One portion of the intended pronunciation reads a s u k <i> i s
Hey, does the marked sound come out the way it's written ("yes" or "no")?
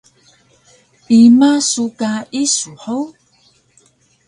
no